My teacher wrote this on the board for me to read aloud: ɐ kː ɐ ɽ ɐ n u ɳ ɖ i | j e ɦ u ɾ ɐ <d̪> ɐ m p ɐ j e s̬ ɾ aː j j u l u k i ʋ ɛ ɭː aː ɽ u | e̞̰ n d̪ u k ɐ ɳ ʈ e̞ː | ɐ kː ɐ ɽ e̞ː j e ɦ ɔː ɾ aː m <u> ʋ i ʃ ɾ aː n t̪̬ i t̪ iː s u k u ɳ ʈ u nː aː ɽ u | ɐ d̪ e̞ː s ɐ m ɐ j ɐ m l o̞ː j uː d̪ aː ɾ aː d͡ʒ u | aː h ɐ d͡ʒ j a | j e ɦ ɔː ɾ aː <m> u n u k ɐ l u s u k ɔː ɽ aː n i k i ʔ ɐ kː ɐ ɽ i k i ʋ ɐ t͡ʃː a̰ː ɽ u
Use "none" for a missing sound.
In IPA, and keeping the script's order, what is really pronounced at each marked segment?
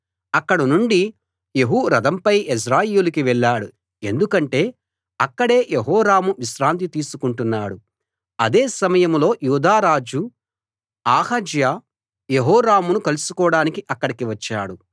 d̪, u, m

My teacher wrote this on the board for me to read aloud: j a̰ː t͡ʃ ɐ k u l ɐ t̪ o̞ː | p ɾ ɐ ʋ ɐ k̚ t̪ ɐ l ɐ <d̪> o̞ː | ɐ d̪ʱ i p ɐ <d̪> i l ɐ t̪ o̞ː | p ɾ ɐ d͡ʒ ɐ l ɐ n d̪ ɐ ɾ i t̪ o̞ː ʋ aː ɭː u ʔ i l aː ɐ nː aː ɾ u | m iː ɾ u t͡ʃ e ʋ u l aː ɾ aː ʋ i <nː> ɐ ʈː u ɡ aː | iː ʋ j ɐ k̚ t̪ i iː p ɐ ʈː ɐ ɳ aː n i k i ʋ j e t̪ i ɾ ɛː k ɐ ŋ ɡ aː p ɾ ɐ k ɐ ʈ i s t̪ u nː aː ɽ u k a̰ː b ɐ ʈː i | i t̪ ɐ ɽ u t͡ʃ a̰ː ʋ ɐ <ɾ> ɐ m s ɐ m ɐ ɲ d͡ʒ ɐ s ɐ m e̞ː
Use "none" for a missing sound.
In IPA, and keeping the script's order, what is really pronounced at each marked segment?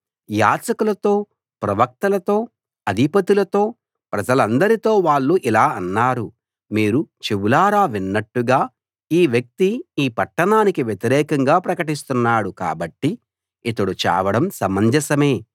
t̪, t̪, nː, ɽ

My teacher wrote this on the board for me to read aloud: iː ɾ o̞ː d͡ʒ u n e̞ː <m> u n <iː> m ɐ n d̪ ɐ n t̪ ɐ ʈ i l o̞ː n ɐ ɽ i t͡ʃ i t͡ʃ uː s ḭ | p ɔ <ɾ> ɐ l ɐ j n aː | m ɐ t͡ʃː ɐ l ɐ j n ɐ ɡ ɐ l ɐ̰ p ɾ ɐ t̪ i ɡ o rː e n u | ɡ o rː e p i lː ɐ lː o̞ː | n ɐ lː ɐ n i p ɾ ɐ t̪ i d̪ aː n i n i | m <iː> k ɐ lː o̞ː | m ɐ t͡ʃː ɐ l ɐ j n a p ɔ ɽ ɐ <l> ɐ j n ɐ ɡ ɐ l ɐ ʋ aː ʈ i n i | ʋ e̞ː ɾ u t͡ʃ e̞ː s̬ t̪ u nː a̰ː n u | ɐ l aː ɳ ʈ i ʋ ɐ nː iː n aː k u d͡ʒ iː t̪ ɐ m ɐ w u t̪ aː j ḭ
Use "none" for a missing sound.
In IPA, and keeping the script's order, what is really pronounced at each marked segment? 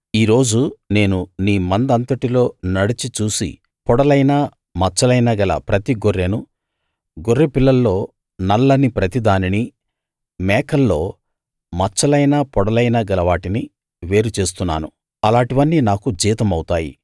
n, iː, ɽ, ɛː, l

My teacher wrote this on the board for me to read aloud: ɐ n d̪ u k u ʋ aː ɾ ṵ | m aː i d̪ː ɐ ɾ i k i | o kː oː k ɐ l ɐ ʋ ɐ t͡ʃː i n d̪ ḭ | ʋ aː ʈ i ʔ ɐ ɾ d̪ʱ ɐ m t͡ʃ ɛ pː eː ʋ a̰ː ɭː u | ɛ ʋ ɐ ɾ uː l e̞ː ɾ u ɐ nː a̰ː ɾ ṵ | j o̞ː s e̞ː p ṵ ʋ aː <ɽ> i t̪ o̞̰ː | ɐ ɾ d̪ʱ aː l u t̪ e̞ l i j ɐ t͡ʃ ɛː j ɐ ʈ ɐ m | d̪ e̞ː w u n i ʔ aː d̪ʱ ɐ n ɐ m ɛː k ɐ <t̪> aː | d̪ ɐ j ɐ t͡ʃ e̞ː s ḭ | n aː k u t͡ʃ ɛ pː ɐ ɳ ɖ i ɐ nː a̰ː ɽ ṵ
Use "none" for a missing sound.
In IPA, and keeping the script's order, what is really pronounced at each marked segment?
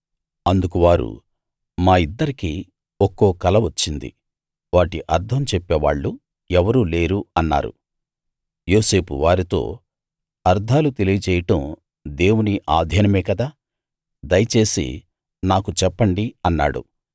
ɾ, d̪

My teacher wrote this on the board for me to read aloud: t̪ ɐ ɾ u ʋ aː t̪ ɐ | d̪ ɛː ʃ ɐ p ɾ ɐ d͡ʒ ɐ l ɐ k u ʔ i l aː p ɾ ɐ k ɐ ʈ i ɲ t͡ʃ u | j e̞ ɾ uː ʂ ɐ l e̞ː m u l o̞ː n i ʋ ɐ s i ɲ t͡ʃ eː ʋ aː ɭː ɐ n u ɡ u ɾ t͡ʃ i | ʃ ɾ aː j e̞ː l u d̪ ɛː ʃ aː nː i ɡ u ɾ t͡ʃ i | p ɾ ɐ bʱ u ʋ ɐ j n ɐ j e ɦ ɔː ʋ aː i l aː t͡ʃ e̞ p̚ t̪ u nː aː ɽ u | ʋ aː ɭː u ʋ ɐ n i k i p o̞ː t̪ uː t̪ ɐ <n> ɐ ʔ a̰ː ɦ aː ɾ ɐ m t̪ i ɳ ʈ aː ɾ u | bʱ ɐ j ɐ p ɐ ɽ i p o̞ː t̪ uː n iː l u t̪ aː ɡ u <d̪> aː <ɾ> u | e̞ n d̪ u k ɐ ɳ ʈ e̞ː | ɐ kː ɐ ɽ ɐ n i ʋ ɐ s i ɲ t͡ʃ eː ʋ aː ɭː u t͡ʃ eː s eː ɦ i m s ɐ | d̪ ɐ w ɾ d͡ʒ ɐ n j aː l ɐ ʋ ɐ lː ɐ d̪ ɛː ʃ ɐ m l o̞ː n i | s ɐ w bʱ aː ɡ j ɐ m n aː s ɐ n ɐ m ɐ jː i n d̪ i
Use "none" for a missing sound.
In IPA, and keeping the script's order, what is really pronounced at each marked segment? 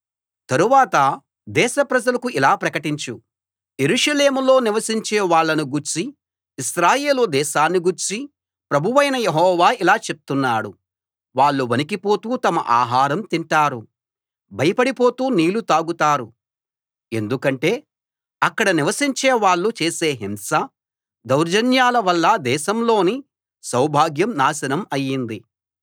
m, t̪, ɾ

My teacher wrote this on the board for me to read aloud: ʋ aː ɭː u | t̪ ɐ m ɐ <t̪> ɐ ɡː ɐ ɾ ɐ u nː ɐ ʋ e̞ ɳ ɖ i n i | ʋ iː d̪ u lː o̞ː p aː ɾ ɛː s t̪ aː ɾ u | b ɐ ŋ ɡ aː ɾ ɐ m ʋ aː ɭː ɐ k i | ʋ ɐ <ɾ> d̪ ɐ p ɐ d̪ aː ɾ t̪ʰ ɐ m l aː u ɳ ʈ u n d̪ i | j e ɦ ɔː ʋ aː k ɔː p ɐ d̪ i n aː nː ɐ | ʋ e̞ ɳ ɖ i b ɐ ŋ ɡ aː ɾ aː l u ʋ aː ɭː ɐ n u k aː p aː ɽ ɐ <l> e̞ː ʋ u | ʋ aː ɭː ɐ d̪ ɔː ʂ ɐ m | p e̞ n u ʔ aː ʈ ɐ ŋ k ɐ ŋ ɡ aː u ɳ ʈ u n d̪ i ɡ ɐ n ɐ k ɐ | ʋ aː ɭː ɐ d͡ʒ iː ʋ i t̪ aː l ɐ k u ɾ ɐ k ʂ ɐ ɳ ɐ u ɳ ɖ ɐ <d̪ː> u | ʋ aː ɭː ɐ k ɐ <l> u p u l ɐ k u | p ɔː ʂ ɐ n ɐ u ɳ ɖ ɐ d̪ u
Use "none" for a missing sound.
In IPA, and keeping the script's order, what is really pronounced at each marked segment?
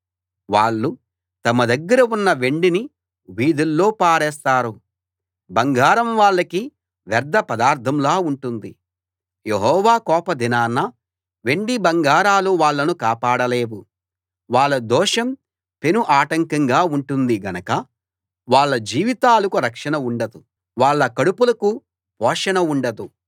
d̪, ɾ, l, d̪, ɽ

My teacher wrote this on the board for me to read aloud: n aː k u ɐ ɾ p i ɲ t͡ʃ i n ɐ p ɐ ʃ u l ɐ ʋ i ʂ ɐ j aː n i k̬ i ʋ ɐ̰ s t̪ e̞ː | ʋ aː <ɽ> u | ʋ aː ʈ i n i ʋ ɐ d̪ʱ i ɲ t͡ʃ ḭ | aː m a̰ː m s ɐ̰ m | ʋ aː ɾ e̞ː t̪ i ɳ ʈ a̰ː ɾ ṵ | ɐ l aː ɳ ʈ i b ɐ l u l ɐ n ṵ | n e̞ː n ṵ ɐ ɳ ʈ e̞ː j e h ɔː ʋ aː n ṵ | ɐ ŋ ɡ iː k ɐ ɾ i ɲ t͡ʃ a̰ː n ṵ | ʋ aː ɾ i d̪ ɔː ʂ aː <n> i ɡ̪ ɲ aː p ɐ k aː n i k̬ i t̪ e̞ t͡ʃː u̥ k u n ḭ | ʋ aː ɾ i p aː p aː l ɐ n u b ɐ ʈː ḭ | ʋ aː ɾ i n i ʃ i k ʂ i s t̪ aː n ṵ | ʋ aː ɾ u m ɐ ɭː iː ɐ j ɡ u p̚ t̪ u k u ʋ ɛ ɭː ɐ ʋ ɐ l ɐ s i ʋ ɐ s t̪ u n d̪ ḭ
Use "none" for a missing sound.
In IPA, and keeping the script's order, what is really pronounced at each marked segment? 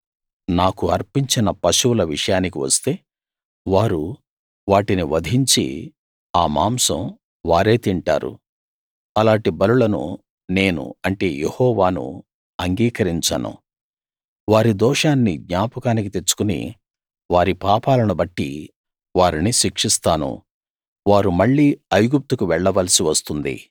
ɾ, nː

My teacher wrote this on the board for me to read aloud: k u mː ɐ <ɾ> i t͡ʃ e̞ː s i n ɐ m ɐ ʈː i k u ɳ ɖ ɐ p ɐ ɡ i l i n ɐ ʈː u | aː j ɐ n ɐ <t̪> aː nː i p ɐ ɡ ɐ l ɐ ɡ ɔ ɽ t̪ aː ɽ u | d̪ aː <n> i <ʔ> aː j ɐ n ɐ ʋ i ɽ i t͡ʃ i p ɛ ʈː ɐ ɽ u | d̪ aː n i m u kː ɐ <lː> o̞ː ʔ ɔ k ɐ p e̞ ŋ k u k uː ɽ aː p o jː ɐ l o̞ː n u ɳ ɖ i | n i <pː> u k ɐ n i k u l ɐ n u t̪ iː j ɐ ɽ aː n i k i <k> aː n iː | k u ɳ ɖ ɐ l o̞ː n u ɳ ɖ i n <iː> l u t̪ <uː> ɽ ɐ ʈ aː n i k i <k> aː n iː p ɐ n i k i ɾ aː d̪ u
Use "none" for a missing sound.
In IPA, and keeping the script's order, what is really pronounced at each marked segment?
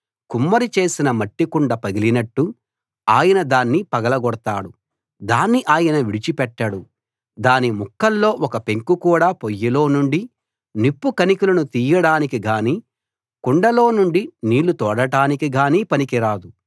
ɾ, d̪, nː, ʔ, lː, pː, ɡ, iː, ɔː, ɡ

